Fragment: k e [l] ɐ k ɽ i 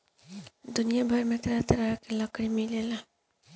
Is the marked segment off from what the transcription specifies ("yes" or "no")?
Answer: no